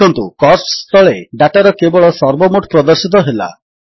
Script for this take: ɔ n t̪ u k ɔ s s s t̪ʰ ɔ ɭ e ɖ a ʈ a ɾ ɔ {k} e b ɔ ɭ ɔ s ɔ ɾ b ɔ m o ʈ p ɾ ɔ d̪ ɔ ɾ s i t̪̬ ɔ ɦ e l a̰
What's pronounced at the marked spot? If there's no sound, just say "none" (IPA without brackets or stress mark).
k